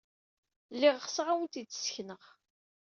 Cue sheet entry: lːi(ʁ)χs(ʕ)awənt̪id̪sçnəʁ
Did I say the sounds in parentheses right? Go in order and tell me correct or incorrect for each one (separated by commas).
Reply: correct, incorrect